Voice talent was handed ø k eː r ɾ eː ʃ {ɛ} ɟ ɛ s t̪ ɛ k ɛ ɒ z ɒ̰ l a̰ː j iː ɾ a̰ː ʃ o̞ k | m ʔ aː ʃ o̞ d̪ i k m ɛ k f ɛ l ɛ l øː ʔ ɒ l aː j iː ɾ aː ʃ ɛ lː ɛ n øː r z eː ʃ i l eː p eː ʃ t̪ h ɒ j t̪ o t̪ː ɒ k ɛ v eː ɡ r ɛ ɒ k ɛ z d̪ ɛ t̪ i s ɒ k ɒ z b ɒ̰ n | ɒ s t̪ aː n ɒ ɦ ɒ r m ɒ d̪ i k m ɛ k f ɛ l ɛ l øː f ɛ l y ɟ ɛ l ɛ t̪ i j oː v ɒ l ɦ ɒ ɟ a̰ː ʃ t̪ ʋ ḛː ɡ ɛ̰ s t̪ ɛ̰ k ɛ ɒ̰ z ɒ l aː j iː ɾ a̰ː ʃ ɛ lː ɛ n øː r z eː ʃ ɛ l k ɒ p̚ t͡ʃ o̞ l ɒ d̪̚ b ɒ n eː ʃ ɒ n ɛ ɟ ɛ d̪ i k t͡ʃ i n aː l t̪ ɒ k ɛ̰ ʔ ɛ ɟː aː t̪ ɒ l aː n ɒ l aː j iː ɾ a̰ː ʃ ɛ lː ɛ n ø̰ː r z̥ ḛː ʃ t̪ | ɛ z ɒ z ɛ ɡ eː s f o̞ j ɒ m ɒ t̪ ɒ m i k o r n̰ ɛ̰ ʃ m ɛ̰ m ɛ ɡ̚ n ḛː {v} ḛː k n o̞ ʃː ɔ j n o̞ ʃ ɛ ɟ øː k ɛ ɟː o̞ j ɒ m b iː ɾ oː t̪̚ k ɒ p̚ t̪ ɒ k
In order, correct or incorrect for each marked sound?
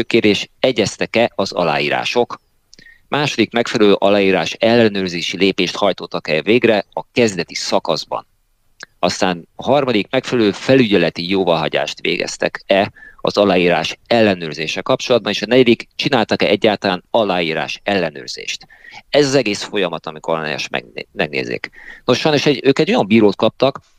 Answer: correct, incorrect

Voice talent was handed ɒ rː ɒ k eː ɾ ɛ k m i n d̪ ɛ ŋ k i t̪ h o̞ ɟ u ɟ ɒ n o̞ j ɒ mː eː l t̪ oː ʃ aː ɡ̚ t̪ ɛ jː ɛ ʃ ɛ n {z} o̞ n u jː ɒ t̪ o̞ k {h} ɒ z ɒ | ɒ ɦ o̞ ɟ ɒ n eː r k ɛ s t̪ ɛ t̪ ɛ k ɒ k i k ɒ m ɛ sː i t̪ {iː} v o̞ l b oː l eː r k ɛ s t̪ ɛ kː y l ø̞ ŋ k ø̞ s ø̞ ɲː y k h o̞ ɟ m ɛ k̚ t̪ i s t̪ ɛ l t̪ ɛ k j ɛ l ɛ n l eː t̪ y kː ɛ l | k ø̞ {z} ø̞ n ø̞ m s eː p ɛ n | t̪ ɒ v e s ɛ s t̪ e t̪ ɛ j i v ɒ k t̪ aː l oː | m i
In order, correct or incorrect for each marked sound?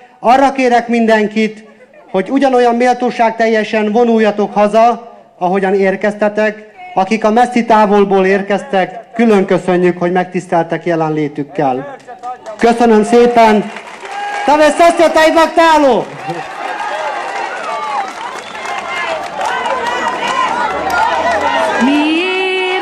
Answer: incorrect, correct, incorrect, incorrect

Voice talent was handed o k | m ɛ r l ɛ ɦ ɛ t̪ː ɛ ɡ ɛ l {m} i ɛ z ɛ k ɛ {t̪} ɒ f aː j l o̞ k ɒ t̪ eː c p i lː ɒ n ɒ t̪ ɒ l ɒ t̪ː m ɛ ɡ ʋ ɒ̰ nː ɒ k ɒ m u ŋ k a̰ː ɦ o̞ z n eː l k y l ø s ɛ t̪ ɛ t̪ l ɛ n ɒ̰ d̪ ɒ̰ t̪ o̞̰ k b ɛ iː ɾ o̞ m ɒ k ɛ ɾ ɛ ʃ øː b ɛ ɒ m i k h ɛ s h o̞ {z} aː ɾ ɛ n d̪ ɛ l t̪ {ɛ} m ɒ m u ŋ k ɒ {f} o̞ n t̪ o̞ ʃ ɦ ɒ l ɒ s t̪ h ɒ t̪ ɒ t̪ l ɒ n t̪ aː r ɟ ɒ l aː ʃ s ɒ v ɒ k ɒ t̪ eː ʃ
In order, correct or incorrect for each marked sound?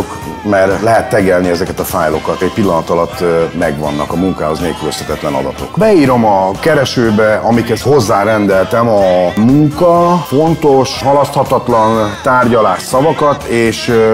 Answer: incorrect, correct, incorrect, correct, correct

